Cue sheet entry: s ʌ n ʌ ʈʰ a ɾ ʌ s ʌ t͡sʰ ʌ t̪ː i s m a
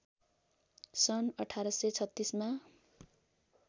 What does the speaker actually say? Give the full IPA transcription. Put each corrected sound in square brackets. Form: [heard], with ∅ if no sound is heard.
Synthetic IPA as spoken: s ʌ n ʌ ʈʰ a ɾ ʌ s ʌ t͡sʰ ʌ t̪ː i s m a